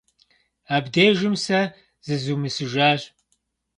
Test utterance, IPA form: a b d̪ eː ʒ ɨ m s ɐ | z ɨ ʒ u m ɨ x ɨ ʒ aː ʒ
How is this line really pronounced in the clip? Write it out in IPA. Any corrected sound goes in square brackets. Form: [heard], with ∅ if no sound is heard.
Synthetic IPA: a b d̪ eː ʒ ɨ m s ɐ | z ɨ [z] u m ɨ [s] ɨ ʒ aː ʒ